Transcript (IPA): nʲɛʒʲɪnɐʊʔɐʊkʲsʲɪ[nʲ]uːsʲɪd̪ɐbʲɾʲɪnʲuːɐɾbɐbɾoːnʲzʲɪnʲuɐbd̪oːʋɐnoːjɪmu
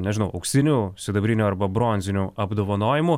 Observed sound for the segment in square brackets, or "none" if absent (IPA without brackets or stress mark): nʲ